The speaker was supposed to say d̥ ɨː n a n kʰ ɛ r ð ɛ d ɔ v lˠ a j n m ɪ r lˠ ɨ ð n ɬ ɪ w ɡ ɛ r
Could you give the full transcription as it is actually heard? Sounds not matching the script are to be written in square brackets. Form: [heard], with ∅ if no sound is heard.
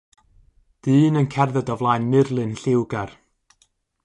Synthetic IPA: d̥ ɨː n [ə] n kʰ ɛ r ð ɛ d ɔ v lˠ a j n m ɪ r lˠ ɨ [∅] n ɬ ɪ w ɡ [a] r